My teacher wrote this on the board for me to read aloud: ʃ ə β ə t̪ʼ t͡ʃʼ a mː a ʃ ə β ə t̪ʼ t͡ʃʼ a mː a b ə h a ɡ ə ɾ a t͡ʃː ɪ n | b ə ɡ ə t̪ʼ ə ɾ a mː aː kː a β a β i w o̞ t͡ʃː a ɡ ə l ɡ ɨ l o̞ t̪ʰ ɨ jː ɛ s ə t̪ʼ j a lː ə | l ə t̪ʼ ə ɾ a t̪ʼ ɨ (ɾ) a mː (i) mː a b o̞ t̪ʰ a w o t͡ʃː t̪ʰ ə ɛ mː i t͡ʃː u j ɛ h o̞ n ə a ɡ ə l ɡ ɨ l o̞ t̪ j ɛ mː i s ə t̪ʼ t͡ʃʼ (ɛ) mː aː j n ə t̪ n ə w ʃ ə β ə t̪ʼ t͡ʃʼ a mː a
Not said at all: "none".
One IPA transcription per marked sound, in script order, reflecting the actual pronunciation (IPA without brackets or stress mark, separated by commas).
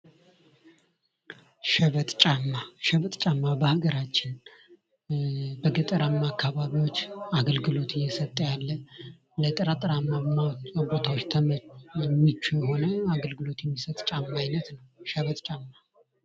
ɾ, a, a